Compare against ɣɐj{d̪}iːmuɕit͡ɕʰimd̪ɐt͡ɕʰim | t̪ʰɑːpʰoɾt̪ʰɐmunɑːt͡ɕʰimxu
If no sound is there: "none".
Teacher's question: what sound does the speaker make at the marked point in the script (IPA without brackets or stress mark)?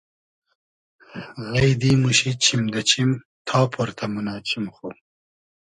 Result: d̪